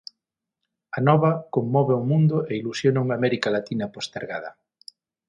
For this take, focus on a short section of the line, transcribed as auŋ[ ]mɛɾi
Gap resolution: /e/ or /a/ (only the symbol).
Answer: a